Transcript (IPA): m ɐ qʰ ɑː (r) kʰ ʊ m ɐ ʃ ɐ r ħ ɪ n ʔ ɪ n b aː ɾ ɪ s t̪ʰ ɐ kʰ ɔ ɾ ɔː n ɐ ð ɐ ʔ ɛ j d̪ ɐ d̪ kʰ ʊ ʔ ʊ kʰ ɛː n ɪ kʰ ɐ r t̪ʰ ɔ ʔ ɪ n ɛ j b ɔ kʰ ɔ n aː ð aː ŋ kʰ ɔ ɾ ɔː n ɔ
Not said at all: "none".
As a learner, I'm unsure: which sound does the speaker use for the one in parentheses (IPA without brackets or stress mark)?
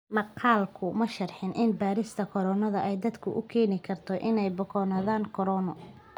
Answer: l